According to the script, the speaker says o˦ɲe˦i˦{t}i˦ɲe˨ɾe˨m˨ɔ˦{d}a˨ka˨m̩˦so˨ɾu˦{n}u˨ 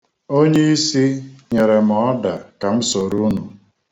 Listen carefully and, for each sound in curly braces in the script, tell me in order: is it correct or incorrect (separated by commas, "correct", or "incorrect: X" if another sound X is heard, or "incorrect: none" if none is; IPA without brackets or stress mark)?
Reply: incorrect: s, correct, correct